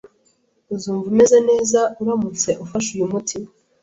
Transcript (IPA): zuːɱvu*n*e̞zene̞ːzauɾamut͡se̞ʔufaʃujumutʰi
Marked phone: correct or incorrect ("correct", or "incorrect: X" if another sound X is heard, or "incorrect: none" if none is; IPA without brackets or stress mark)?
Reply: incorrect: m